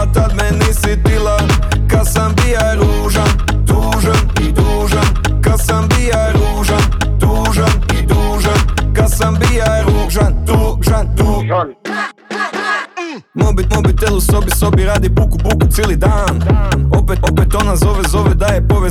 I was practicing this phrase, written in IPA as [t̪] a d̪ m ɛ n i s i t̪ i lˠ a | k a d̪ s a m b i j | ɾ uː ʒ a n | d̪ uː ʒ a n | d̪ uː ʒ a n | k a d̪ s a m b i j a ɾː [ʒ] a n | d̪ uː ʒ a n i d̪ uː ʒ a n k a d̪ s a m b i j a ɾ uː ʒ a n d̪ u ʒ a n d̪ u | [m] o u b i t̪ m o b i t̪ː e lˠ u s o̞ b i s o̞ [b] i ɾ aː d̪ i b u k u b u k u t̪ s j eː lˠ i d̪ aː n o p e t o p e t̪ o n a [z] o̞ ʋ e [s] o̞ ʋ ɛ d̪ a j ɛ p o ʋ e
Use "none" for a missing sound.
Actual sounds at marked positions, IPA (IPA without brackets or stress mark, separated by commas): t̪, ʒ, m, b, z, z